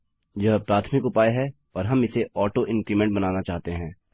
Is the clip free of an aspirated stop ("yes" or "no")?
no